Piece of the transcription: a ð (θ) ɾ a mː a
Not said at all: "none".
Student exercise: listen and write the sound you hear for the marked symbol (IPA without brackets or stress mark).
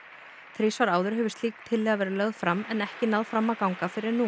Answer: f